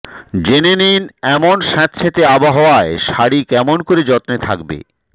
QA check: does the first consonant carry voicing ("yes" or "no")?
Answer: yes